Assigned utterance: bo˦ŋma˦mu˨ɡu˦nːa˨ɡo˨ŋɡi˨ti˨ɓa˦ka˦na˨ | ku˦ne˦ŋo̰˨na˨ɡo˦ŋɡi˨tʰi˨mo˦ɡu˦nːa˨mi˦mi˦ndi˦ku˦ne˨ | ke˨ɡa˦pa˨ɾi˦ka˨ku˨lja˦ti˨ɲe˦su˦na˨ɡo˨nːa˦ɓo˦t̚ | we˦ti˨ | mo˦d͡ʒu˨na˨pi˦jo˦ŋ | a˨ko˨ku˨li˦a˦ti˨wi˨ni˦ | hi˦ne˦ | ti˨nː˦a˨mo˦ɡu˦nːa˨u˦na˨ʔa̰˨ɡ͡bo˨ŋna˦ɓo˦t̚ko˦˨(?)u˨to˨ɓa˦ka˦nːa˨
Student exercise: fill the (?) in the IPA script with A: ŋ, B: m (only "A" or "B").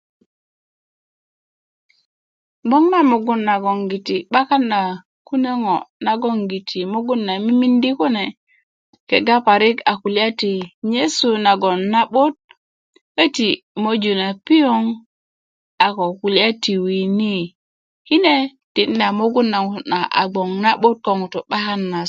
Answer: A